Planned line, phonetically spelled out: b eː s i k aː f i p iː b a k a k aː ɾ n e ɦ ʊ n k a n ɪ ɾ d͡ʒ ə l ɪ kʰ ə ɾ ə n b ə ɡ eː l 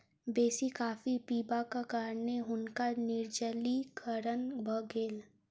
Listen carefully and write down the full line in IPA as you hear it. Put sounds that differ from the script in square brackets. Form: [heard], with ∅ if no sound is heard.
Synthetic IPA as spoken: b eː s i k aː f i p iː b a k a k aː ɾ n e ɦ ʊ n k a n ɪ ɾ d͡ʒ ə l [i] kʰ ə ɾ ə n b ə ɡ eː l